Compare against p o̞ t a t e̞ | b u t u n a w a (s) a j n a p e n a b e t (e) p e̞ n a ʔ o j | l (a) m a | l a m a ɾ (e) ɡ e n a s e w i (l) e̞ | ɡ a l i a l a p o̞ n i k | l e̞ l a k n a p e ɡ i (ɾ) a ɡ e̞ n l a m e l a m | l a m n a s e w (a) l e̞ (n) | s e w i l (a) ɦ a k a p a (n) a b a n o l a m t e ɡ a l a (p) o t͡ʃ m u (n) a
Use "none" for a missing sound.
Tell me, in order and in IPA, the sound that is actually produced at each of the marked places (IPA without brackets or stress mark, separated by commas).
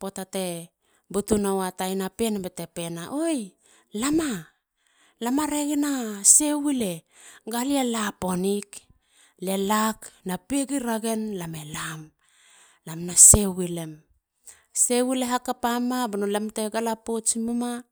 t, e, a, e, l, ɾ, i, m, e, m, p, m